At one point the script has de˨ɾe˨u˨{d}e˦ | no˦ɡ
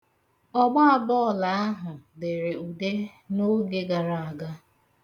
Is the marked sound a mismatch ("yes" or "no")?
no